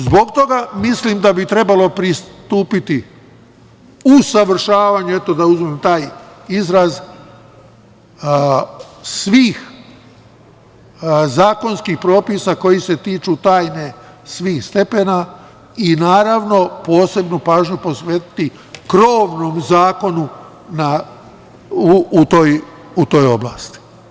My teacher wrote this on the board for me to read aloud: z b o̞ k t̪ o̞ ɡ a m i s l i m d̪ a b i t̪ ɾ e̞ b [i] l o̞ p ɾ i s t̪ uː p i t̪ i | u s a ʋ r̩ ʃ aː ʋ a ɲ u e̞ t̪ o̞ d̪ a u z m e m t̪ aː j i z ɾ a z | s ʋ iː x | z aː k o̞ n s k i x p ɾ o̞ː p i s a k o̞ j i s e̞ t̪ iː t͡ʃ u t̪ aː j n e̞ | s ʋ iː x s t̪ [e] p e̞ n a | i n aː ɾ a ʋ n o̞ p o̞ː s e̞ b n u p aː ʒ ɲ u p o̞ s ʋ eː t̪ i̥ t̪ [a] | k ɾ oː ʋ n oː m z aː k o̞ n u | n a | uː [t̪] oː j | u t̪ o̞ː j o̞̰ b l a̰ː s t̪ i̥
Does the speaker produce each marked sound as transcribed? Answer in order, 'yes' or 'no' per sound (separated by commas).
no, yes, no, yes